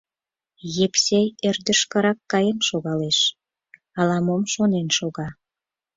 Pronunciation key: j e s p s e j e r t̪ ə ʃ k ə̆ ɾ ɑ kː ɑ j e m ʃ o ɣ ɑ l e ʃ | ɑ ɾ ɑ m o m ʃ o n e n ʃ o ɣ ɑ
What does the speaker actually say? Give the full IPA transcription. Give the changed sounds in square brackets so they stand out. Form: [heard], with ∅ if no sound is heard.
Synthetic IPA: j e [∅] p s e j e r [d̪] ə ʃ k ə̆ ɾ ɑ kː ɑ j e m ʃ o ɣ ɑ l e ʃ | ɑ [l] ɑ m o m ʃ o n e n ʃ o ɣ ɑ